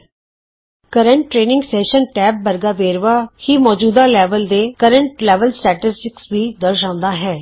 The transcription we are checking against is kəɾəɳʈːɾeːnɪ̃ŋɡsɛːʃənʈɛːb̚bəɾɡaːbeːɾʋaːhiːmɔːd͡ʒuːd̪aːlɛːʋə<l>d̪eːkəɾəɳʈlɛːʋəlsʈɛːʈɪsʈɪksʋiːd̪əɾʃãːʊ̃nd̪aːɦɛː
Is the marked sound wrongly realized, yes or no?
no